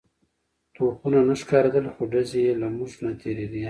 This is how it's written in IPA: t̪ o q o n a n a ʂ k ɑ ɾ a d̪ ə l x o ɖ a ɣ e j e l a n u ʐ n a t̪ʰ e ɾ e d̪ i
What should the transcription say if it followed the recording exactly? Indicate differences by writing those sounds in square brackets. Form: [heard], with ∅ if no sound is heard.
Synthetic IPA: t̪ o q [u] n a n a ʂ k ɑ ɾ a d̪ ə l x o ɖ a [z] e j e l a [m] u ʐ n a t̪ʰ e ɾ e d̪ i